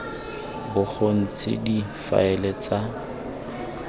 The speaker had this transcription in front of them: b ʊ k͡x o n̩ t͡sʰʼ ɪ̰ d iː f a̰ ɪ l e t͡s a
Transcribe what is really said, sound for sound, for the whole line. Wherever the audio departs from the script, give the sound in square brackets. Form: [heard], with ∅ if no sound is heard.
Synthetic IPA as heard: b ʊ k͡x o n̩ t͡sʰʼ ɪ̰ d [i] f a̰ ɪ l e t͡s a